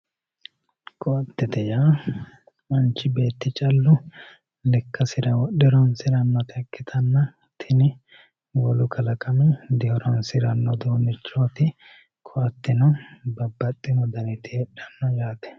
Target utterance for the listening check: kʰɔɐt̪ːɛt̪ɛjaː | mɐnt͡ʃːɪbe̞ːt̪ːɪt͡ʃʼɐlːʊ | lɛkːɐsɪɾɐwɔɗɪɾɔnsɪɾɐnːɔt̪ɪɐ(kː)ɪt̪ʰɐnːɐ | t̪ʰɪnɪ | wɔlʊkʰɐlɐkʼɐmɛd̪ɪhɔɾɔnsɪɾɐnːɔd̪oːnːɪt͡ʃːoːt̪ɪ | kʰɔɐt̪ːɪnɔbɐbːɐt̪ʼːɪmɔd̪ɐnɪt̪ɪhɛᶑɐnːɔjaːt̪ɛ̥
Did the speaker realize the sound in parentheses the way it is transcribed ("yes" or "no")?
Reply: yes